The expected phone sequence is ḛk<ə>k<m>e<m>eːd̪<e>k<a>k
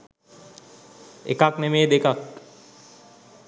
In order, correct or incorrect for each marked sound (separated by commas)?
incorrect, incorrect, correct, correct, correct